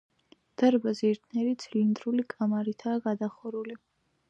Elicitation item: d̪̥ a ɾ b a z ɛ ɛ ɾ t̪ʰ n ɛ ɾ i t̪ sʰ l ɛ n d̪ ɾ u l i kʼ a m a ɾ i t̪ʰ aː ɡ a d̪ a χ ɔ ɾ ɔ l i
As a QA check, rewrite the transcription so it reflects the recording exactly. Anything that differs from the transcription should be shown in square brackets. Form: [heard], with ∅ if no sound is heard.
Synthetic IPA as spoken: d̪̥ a ɾ b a z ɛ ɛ ɾ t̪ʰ n ɛ ɾ i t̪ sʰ l [i] n d̪ ɾ u l i kʼ a m a ɾ i t̪ʰ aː ɡ a d̪ a χ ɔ ɾ [u] l i